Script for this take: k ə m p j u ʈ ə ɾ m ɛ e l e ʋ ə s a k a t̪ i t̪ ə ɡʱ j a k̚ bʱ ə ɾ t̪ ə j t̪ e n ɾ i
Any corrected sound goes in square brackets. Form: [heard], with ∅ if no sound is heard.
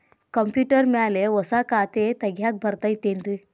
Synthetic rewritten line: k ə m p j u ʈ ə ɾ m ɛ [a] l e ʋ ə s a k a t̪ [e] t̪ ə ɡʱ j a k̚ bʱ ə ɾ t̪ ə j t̪ e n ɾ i